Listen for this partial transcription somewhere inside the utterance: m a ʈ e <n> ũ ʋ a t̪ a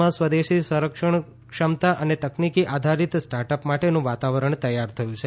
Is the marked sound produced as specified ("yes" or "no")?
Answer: yes